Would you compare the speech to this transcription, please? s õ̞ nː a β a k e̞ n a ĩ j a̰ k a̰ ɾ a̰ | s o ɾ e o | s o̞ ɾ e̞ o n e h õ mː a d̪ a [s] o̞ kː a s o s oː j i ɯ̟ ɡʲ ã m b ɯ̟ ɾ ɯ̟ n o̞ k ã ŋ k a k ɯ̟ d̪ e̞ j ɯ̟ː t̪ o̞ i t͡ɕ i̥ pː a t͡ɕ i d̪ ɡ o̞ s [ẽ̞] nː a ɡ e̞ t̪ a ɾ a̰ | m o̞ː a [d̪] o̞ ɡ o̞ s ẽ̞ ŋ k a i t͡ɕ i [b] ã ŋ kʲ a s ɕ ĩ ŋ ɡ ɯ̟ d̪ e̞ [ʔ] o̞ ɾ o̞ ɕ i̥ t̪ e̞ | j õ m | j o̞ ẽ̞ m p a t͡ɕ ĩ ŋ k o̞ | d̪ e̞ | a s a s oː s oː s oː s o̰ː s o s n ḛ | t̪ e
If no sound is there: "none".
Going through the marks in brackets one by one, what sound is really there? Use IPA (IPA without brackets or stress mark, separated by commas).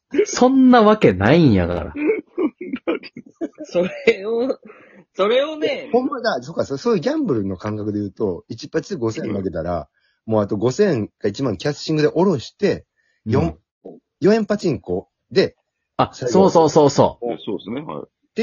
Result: s, ẽ̞, t̪, m, ʔ